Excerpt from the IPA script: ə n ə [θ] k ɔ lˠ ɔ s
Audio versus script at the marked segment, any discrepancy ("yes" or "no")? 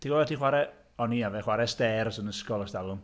yes